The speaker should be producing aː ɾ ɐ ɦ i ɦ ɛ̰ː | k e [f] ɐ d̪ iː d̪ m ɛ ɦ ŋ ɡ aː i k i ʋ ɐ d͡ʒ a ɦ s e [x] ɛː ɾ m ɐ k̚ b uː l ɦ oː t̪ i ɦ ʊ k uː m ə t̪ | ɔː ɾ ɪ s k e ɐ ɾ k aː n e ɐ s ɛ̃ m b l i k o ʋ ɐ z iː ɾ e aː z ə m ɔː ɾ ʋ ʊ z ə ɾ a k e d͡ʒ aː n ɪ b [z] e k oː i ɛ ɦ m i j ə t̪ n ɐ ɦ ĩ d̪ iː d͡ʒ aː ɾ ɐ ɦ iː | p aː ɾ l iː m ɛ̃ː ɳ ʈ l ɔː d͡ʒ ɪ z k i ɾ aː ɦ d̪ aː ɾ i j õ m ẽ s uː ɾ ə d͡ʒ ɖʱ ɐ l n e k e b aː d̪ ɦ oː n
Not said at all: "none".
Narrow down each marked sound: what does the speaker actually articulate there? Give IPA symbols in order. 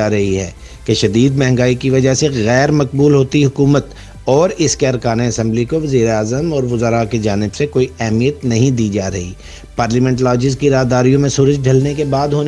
ʃ, ɣ, s

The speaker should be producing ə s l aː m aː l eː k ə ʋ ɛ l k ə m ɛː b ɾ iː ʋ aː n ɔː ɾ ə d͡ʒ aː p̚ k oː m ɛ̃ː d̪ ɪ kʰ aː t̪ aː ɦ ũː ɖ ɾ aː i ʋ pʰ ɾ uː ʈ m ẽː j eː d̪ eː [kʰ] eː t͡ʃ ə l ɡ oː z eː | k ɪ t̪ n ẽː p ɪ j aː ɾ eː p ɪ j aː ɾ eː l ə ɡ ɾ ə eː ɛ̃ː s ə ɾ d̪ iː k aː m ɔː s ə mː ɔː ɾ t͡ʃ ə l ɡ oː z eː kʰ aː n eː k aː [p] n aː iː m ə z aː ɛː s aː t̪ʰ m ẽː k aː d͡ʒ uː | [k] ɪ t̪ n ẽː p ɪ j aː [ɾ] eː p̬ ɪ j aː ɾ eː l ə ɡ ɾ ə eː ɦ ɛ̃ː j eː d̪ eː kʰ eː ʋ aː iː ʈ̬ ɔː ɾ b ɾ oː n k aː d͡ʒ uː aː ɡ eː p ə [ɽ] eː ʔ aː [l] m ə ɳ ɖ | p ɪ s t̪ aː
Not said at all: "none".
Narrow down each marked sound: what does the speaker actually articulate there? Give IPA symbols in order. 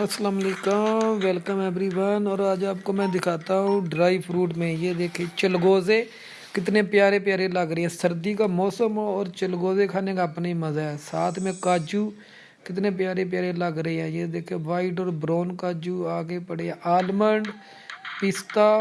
kʰ, p, k, ɾ, ɽ, l

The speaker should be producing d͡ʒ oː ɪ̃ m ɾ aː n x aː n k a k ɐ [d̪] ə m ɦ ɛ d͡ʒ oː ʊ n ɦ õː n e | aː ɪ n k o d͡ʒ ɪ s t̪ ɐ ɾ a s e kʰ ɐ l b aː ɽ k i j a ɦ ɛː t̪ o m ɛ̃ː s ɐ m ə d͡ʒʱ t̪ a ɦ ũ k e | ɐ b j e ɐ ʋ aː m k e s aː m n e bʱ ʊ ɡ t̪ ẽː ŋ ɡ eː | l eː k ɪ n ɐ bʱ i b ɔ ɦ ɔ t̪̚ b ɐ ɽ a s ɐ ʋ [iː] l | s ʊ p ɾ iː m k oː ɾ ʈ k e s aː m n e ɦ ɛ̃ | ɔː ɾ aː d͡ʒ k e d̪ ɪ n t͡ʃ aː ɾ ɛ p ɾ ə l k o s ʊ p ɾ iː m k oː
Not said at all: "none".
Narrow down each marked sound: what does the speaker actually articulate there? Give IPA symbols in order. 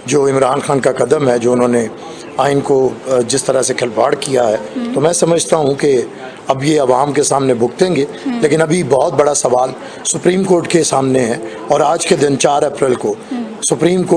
d̪, aː

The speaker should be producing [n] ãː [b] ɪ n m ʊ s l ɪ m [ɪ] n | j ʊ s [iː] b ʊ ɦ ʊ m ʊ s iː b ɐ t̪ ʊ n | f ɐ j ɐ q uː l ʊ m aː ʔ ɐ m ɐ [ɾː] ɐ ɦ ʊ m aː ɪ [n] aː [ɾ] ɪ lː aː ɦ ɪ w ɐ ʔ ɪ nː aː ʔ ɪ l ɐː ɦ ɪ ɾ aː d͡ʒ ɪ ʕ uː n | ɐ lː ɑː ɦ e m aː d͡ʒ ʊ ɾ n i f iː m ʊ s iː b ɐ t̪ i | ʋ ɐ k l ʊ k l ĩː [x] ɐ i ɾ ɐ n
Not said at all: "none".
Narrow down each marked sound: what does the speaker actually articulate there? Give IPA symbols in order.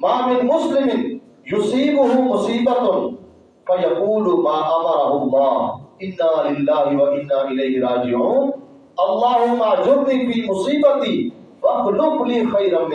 m, m, ɪ, iː, ɾ, nː, l, x

